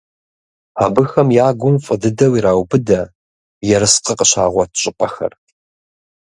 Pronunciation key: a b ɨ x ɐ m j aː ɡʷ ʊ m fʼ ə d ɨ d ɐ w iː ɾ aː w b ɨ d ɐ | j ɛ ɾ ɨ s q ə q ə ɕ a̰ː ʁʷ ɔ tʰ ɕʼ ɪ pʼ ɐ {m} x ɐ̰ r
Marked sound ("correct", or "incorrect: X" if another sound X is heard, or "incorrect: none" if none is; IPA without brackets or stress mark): incorrect: none